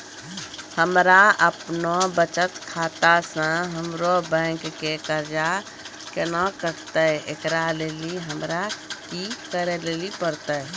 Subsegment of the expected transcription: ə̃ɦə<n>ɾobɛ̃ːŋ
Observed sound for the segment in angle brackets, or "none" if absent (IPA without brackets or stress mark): m